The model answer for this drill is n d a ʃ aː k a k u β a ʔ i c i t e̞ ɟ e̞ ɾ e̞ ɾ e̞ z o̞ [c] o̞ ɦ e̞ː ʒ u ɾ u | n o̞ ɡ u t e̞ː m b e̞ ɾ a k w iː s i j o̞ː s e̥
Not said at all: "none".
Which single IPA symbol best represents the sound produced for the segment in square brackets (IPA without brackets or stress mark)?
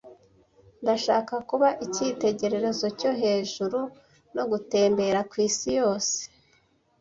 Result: c